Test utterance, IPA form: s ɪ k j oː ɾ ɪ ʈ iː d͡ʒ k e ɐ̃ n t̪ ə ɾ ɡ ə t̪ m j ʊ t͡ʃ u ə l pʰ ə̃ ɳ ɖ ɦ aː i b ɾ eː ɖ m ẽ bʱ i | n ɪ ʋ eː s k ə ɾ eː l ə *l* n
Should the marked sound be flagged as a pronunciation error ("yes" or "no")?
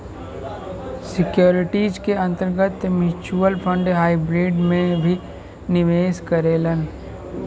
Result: yes